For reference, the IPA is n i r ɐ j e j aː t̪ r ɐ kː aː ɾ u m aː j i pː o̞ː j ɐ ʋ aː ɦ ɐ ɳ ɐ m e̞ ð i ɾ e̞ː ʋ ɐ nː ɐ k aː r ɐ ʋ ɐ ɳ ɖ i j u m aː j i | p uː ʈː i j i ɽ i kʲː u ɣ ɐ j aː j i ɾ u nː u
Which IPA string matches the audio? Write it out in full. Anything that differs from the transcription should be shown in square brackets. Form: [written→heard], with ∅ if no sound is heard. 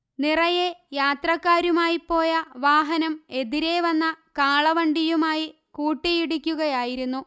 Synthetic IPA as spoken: n i r ɐ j e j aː t̪ r ɐ kː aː ɾ u m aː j i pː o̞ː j ɐ ʋ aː ɦ ɐ [ɳ→n] ɐ m e̞ ð i ɾ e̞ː ʋ ɐ nː ɐ k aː [r→ɭ] ɐ ʋ ɐ ɳ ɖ i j u m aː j i | [p→k] uː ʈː i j i ɽ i kʲː u ɣ ɐ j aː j i ɾ u nː u